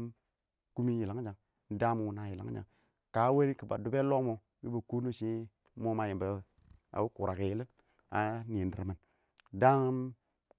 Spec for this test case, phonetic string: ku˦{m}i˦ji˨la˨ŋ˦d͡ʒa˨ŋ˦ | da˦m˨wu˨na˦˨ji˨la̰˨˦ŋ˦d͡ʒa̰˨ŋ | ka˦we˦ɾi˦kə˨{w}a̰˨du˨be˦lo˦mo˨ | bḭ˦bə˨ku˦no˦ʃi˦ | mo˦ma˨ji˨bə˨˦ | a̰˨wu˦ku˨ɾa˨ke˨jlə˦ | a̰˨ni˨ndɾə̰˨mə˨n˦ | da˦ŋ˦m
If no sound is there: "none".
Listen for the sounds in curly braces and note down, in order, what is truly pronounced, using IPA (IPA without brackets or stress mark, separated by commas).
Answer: m, b